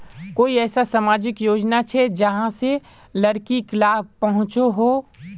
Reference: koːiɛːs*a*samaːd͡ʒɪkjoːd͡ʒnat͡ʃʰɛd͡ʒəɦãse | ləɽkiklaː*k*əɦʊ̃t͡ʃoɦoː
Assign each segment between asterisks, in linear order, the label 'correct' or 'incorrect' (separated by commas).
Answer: correct, incorrect